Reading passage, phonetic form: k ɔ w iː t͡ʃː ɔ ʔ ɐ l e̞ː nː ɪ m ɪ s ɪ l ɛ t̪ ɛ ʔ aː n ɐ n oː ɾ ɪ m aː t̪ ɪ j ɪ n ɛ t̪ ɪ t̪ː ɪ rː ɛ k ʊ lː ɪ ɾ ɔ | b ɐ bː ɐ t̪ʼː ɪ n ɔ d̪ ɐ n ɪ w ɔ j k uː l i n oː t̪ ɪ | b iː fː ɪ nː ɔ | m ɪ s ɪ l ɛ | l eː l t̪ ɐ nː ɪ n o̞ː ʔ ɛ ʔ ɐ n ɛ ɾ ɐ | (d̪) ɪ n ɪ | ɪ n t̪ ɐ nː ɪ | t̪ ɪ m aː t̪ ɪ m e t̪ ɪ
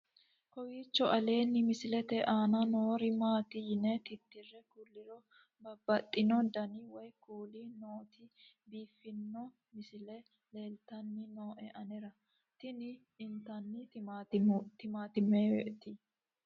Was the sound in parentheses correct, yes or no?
no